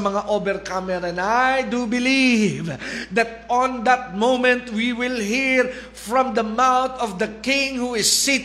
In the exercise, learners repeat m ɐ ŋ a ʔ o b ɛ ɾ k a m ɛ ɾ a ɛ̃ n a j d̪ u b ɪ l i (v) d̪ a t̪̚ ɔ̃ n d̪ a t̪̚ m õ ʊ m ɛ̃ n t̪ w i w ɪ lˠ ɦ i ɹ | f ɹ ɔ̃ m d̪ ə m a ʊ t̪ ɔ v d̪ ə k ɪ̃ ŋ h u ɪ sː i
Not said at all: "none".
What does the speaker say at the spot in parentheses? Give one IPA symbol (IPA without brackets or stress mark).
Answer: v